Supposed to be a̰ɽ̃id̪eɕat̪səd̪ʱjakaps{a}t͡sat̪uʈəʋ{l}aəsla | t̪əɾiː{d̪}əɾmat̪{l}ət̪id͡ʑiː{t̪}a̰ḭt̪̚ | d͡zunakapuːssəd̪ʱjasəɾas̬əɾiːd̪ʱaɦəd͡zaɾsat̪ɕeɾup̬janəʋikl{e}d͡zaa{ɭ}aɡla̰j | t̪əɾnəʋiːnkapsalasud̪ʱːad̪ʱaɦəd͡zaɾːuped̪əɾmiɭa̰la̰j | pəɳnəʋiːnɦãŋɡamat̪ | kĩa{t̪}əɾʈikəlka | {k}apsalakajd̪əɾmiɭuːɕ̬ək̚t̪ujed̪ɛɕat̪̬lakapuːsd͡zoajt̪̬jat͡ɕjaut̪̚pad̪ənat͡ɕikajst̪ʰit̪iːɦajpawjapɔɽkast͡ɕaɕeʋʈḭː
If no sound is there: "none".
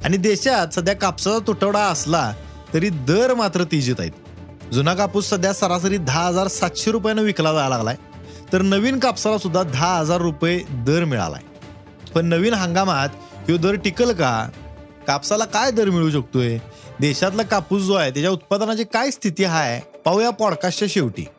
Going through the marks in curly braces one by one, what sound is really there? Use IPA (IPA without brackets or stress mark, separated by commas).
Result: a, ɽ, d̪, ɾ, t̪, a, l, d̪, k